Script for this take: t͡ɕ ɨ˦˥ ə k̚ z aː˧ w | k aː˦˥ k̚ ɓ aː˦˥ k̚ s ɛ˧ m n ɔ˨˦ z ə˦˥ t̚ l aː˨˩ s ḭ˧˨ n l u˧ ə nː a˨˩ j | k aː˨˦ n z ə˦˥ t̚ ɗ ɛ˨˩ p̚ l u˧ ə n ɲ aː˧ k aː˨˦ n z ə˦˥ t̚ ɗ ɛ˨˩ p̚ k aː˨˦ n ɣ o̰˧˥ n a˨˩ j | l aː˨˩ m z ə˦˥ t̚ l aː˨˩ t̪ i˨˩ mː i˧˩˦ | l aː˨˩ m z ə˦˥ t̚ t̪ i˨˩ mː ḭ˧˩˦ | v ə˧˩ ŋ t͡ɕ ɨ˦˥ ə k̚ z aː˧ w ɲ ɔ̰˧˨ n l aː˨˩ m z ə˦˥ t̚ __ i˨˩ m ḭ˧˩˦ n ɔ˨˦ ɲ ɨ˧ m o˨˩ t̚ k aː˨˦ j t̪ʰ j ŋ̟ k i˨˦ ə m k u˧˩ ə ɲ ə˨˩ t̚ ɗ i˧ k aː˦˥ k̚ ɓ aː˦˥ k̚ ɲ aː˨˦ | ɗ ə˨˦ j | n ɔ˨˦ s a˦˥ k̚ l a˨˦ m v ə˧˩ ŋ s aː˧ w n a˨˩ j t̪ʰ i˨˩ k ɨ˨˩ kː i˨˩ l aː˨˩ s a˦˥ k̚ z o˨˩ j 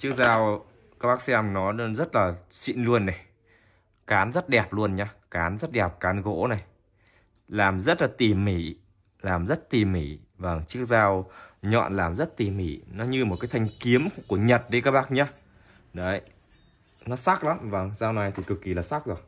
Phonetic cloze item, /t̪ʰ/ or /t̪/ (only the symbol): t̪